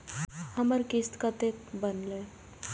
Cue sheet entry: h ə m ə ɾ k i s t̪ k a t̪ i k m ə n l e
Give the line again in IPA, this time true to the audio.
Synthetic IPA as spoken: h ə m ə ɾ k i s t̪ k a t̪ e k b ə n l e

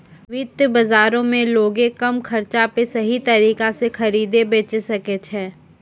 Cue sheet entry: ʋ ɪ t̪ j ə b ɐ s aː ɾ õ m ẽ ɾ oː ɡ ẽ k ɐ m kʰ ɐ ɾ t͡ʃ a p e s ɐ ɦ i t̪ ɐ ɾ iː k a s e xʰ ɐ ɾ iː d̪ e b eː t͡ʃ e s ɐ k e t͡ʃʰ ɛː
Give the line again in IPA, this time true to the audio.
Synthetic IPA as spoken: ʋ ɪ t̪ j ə b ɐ z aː ɾ õ m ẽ l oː ɡ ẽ k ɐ m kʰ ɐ ɾ t͡ʃ a p e s ɐ ɦ i t̪ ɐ ɾ iː k a s e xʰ ɐ ɾ iː d̪ e b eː t͡ʃ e s ɐ k e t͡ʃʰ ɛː

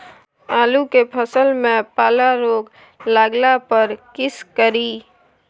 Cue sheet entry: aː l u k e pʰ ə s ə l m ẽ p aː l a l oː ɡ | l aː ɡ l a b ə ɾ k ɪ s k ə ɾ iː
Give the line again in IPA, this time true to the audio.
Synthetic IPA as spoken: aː l u k e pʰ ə s ə l m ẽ p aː l a ɾ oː ɡ | l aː ɡ l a p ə ɾ k ɪ s k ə ɾ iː

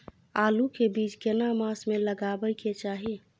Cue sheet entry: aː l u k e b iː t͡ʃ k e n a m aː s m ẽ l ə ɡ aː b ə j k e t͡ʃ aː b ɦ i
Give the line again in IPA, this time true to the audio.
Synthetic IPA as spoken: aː l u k e b iː t͡ʃ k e n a m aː s m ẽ l ə ɡ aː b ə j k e t͡ʃ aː ɦ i

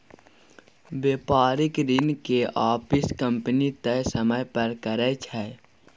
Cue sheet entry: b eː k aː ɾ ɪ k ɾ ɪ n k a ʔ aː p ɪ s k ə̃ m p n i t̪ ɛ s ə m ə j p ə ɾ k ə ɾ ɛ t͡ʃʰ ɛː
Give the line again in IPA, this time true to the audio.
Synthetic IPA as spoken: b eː p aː ɾ ɪ k ɾ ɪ n k e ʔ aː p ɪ s k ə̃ m p n i t̪ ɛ s ə m ə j p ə ɾ k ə ɾ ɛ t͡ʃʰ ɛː

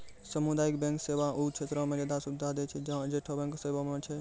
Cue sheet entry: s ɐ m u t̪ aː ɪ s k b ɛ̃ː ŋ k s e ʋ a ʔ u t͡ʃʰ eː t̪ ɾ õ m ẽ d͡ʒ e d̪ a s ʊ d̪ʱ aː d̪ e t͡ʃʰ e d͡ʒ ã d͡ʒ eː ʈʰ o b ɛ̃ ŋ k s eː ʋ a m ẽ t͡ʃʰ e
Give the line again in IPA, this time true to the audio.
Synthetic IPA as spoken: s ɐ m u d̪ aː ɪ k b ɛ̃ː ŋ k s e ʋ a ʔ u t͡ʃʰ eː t̪ ɾ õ m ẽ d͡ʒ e d̪ a s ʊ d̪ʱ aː d̪ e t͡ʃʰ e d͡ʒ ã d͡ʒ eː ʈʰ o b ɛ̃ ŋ k s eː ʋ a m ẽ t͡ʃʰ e

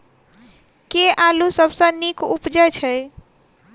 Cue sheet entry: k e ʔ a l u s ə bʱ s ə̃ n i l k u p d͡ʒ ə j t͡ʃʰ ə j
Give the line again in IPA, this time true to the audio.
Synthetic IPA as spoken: k e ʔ a l u s ə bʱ s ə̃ n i k u p d͡ʒ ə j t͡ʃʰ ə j

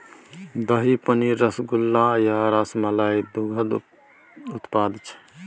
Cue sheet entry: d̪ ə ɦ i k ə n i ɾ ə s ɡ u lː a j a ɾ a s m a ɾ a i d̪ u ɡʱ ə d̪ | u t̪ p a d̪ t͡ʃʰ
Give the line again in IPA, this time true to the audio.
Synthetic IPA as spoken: d̪ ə ɦ i p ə n i ɾ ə s ɡ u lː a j a ɾ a s m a l a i d̪ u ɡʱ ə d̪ | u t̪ p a d̪ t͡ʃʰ

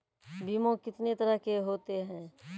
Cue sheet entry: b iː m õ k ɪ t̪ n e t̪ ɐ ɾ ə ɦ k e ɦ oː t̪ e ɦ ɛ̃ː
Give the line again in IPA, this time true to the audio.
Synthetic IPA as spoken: b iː m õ k ɪ t̪ n e t̪ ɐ ɾ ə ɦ k e ɦ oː t̪ e ɦ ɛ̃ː

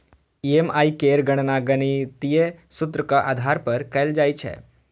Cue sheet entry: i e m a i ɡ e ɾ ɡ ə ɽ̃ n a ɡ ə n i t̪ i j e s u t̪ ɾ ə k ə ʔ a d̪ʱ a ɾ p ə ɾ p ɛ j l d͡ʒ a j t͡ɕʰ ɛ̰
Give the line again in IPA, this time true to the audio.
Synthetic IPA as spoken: i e m a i k e ɾ ɡ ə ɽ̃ n a ɡ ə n i t̪ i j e s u t̪ ɾ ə k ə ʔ a d̪ʱ a ɾ p ə ɾ k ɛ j l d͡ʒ a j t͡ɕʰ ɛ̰

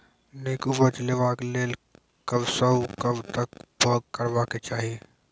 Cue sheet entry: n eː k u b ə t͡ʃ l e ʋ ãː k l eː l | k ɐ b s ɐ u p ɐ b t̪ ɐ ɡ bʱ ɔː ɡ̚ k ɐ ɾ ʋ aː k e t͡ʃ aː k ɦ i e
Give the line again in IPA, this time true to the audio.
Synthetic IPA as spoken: n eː k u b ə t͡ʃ l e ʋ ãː k l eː l | k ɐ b s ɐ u k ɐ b t̪ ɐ k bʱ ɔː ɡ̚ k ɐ ɾ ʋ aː k e t͡ʃ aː ɦ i e

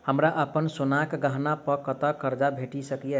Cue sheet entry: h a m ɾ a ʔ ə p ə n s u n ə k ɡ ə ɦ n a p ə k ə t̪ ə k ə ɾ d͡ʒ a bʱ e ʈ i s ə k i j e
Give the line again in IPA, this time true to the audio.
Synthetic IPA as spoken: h ə m ɾ a ʔ ə p ə n s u n a k ɡ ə ɦ n a p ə k ə t̪ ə k ə ɾ d͡ʒ a bʱ e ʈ i s ə k i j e

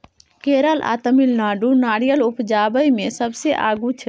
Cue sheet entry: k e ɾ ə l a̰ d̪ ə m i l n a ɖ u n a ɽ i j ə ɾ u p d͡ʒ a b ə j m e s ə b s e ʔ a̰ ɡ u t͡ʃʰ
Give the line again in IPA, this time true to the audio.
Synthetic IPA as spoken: k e ɾ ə l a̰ t̪ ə m i l n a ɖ u n a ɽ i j ə l u p d͡ʒ a b ə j m e s ə b s e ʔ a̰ ɡ u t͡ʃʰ

